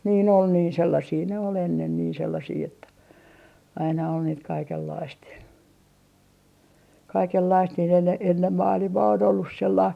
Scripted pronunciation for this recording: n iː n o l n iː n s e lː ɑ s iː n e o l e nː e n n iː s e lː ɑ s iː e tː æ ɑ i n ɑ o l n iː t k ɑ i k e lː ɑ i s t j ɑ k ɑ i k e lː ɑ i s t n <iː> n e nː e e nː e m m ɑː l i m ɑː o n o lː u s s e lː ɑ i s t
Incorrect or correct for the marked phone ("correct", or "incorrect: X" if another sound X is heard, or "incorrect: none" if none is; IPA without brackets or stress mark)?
correct